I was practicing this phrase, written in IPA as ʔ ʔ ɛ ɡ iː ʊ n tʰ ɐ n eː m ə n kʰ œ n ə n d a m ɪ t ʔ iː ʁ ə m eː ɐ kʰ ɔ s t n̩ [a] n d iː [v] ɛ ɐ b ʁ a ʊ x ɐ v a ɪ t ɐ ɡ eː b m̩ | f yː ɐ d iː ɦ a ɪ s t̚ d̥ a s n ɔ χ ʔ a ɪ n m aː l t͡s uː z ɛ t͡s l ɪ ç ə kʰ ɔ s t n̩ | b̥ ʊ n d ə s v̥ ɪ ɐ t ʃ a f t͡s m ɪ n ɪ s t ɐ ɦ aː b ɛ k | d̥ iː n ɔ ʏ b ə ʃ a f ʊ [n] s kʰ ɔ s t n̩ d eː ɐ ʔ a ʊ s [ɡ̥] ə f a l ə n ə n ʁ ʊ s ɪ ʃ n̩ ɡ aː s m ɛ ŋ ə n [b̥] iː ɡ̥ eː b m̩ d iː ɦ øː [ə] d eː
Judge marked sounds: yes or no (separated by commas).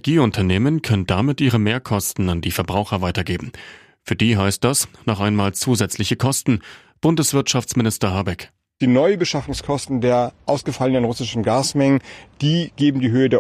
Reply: yes, no, no, yes, no, yes